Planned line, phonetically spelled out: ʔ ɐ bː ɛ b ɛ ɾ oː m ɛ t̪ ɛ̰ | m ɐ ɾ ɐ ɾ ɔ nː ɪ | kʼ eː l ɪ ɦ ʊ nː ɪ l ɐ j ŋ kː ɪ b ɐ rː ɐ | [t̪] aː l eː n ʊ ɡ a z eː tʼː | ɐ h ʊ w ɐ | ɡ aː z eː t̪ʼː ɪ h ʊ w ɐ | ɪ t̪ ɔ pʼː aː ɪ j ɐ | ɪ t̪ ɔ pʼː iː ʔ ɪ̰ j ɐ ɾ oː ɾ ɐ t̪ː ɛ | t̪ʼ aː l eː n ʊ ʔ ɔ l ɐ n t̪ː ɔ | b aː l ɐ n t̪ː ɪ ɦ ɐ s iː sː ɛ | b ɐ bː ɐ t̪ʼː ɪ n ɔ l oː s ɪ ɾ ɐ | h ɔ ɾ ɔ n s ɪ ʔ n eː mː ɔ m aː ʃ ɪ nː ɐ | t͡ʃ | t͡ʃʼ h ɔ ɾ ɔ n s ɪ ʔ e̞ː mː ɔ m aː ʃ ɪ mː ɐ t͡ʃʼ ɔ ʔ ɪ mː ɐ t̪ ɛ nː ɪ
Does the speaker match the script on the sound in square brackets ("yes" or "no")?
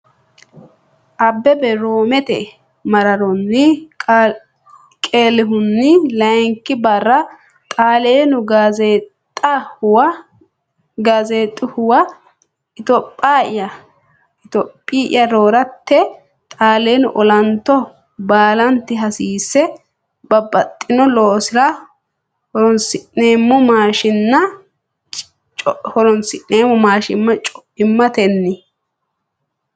no